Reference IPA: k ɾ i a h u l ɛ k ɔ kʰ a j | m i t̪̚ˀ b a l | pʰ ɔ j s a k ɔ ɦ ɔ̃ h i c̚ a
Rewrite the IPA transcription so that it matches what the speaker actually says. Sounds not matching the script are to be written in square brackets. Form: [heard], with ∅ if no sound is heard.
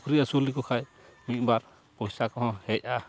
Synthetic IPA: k ɾ i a [s] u l [i] k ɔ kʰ a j | m i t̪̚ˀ b a [ɾ] | [p] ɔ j s a k ɔ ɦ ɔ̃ h [ɛ] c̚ a